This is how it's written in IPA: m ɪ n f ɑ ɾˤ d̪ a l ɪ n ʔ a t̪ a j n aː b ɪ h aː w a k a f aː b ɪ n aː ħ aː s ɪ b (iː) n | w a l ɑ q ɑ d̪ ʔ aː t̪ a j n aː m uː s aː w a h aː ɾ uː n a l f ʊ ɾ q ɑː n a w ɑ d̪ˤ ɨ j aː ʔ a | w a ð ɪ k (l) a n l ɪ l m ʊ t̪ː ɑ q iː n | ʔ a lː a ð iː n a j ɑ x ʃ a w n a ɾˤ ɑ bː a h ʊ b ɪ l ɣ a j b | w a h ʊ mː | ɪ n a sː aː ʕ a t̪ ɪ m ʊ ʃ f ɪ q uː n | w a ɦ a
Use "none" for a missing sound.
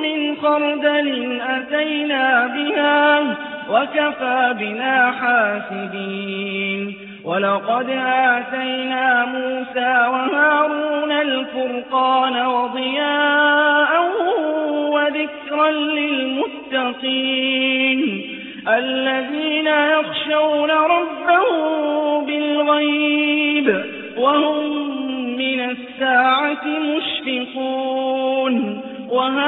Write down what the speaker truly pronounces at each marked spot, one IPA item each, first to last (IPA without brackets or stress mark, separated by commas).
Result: iː, ɾ